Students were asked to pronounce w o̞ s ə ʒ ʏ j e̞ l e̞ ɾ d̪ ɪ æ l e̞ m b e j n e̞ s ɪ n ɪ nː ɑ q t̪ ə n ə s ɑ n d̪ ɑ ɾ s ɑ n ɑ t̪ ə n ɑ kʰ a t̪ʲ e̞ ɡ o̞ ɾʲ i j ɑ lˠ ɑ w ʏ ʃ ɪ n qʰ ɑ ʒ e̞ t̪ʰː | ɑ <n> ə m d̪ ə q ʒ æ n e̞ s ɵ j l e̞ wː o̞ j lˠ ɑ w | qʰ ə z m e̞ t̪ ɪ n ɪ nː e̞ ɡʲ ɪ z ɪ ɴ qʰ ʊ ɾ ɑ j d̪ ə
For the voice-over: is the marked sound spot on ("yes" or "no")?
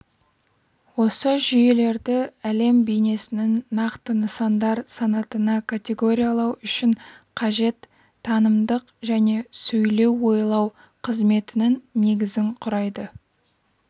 yes